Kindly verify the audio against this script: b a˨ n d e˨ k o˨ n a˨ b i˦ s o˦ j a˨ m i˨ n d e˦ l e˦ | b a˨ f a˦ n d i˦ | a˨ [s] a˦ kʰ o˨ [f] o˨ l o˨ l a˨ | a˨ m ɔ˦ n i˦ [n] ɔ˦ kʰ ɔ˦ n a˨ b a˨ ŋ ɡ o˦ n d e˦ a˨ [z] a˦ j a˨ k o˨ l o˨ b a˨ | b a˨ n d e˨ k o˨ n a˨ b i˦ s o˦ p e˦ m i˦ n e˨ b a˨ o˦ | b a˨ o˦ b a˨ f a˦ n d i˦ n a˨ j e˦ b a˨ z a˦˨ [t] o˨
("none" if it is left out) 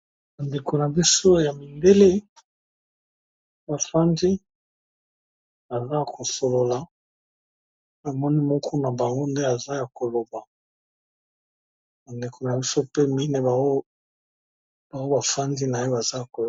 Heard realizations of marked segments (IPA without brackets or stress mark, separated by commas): z, s, m, z, k